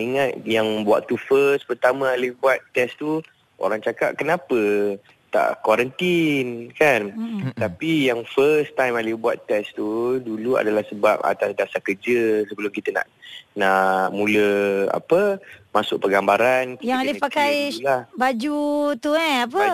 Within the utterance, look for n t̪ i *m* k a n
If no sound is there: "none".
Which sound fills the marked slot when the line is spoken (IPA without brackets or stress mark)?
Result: n